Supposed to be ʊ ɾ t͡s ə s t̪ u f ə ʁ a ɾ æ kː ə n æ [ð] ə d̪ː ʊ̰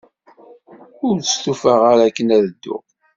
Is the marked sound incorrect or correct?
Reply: correct